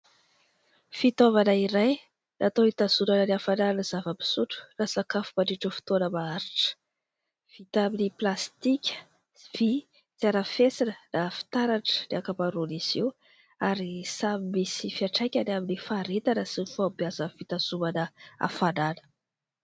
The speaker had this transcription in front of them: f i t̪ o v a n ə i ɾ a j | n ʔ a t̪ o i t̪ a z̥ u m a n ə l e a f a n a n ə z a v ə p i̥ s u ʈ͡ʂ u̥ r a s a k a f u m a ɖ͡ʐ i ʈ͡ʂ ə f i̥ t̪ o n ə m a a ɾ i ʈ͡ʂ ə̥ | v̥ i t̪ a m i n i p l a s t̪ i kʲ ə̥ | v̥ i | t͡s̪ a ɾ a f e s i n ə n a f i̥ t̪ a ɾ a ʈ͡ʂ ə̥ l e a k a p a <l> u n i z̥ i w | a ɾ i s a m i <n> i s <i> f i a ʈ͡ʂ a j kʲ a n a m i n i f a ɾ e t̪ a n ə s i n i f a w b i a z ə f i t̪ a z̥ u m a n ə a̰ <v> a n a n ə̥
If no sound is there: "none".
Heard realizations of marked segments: ɾ, m, i, f

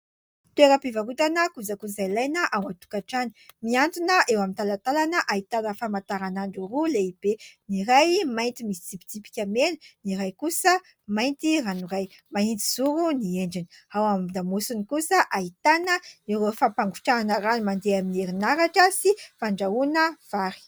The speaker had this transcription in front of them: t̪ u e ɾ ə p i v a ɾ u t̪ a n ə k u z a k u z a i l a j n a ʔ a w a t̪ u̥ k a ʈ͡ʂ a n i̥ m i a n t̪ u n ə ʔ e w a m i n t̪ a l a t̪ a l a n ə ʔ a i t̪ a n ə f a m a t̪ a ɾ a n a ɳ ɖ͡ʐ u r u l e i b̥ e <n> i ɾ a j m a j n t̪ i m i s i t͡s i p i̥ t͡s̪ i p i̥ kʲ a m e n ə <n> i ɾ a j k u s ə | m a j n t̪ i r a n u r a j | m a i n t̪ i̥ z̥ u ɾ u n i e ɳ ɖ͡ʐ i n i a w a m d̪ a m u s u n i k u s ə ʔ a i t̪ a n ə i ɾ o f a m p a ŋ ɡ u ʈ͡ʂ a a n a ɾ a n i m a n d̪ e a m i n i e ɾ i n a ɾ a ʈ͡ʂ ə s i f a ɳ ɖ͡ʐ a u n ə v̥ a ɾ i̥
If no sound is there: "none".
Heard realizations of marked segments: n, n

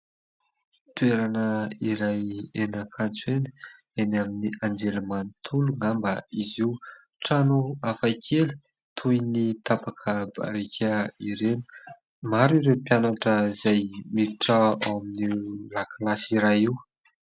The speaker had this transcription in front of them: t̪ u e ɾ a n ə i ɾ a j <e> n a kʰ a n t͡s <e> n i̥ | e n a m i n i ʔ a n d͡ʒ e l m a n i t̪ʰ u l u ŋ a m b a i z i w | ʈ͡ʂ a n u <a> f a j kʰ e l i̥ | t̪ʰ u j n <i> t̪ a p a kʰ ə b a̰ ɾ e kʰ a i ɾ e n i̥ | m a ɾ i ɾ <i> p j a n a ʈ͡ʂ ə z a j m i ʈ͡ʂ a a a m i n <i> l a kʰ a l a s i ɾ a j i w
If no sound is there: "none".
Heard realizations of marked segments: e, e, a, i, e, i

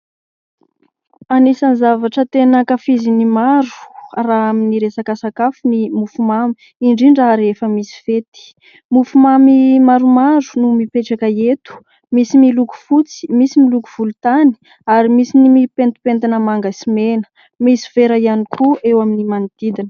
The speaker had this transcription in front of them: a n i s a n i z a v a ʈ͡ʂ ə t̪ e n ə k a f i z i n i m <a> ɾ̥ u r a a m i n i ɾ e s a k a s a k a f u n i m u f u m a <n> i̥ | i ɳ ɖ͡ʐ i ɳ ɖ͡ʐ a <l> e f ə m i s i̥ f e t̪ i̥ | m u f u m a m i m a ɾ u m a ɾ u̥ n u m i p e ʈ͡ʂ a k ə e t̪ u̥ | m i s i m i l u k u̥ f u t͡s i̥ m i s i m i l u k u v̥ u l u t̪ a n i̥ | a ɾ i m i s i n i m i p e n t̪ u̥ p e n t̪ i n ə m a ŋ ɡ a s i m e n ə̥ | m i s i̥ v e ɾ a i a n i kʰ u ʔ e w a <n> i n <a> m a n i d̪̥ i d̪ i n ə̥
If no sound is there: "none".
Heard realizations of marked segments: a, m, ɾ, m, i

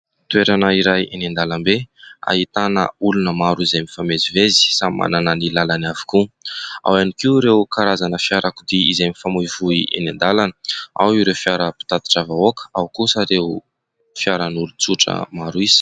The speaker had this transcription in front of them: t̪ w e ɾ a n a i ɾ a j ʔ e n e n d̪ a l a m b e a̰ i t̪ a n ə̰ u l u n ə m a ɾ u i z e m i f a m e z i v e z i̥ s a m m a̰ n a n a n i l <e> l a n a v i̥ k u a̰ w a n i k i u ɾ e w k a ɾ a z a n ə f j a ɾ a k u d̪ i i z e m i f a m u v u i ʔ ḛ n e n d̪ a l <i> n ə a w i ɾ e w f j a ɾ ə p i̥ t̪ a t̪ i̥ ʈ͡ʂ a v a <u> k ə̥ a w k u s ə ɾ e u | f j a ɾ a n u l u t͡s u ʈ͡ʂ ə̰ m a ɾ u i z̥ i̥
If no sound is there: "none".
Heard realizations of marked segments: a, a, o

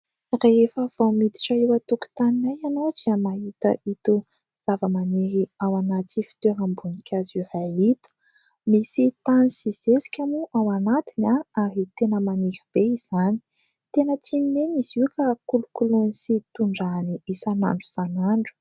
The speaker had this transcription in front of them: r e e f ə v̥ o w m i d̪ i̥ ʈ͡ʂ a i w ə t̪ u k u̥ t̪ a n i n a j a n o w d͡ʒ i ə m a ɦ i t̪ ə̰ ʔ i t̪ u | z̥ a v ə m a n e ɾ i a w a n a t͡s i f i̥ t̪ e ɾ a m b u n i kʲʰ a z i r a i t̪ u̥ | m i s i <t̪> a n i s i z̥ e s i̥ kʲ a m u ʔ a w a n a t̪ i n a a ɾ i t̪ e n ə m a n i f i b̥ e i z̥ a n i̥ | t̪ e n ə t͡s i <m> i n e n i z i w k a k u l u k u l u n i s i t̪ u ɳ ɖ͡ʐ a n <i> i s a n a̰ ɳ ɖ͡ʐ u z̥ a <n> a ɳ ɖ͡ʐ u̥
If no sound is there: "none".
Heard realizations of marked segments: t̪, n, i, n

